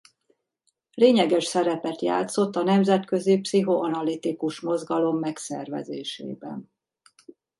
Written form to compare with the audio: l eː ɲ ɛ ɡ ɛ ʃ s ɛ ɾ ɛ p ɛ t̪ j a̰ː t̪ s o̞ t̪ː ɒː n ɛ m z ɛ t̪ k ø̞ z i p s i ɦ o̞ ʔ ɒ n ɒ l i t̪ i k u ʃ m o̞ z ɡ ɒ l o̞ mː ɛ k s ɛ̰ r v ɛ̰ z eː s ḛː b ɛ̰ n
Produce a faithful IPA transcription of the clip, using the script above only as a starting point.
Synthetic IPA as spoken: l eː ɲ ɛ ɡ ɛ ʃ s ɛ ɾ ɛ p ɛ t̪ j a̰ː t̪ s o̞ t̪ː ɒ n ɛ m z ɛ t̪ k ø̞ z i p s i ɦ o̞ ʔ ɒ n ɒ l i t̪ i k u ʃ m o̞ z ɡ ɒ l o̞ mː ɛ k s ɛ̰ r v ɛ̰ z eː ʃ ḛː b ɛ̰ n

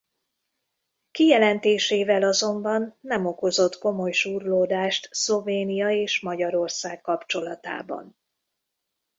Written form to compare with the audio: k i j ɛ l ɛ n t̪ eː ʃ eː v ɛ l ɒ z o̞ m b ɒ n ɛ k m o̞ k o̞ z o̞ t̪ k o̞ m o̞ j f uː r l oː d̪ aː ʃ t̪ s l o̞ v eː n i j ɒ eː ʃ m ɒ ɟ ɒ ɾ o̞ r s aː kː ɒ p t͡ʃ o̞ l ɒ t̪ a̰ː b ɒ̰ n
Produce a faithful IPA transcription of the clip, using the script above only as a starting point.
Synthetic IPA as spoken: k i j ɛ l ɛ n t̪ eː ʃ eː v ɛ l ɒ z o̞ m b ɒ nː ɛ m o̞ k o̞ z o̞ t̪ k o̞ m o̞ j ʃ uː r l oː d̪ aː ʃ t̪ s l o̞ v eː n i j ɒ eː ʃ m ɒ ɟ ɒ ɾ o̞ r s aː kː ɒ p t͡ʃ o̞ l ɒ t̪ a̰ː b ɒ̰ n

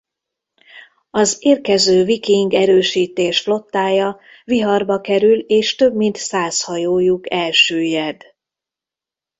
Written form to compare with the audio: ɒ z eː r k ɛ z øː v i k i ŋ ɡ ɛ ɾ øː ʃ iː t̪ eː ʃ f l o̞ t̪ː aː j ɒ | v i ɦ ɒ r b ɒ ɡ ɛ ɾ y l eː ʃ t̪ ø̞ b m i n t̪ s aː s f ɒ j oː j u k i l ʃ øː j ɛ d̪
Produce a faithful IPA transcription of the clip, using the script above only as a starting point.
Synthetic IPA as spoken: ɒ z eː r k ɛ z øː v i k i ŋ ɡ ɛ ɾ øː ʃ iː t̪ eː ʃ f l o̞ t̪ː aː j ɒ | v i ɦ ɒ r b ɒ k ɛ ɾ y l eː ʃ t̪ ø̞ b m i n t̪ s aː s h ɒ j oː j u k ɛ l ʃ øː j ɛ d̪

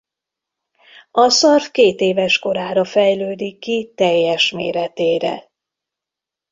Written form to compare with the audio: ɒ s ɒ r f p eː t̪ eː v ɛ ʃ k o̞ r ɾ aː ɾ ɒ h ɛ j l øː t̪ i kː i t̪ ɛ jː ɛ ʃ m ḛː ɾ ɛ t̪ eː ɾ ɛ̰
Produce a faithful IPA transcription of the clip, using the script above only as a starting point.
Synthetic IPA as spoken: ɒ s ɒ r f k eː t̪ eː v ɛ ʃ k o̞ ɾ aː ɾ ɒ f ɛ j l øː d̪ i kː i t̪ ɛ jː ɛ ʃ m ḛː ɾ ɛ t̪ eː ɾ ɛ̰

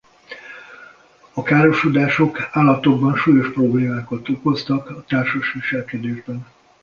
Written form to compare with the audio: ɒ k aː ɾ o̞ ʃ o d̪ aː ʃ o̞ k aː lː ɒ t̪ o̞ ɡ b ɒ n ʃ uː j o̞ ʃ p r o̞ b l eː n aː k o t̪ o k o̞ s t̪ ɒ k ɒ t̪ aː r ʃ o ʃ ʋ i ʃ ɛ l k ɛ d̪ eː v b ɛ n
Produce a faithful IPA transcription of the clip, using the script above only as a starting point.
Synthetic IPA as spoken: ɒ k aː ɾ o̞ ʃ o d̪ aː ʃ o̞ k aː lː ɒ t̪ o̞ ɡ b ɒ n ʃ uː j o̞ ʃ p r o̞ b l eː m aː k o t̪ o k o̞ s t̪ ɒ k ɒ t̪ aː r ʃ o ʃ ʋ i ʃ ɛ l k ɛ d̪ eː ʒ b ɛ n

